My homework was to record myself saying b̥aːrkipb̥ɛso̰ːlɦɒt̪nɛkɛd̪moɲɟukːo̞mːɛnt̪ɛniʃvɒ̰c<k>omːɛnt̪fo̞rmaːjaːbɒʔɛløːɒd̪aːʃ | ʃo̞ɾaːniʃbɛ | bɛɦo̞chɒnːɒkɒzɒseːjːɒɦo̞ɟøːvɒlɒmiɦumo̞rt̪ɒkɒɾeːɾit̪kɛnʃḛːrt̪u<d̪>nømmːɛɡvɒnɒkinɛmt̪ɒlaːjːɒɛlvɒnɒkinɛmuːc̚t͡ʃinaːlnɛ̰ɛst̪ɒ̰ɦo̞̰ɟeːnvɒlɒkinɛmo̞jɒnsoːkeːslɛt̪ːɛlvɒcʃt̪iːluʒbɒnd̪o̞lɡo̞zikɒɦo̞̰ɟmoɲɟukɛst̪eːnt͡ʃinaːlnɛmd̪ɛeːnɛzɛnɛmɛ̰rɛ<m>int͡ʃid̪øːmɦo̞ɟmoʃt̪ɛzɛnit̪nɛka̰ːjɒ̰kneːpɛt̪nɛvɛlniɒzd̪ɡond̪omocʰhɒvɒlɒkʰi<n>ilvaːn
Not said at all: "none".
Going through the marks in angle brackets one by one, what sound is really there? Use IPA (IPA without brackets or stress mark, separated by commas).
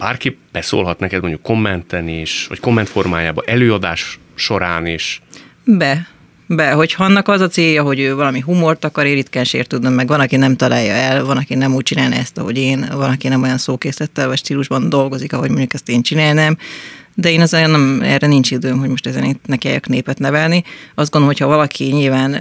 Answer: k, d̪, n, ɲ